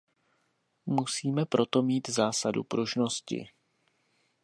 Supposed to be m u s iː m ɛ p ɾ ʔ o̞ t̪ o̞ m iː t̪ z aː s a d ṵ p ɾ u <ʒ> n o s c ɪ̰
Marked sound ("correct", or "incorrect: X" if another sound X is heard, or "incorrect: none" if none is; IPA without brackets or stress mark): correct